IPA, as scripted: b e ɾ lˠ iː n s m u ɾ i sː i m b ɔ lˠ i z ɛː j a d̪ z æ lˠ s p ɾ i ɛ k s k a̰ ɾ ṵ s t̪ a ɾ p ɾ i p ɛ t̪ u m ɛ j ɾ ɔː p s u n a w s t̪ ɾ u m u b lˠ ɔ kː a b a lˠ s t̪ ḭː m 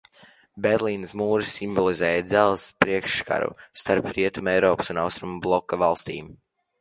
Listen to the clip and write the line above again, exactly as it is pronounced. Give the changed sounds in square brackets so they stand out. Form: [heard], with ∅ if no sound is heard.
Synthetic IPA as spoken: b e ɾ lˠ iː n s m [uː] ɾ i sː i m b ɔ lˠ i z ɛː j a d̪ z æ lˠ s p ɾ i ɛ k [ʃ] k a̰ ɾ ṵ s t̪ a ɾ p ɾ i [∅] ɛ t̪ u m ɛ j ɾ ɔː p s u n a w s t̪ ɾ u m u b lˠ ɔ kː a [v] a lˠ s t̪ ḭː m